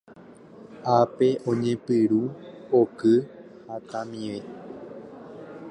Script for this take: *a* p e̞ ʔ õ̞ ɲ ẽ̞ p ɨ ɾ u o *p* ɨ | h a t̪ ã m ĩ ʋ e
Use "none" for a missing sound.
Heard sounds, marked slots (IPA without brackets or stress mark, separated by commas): a, k